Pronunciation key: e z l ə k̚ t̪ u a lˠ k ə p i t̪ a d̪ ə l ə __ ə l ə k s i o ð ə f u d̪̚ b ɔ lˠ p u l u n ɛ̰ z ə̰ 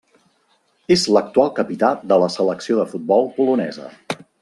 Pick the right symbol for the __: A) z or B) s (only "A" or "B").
B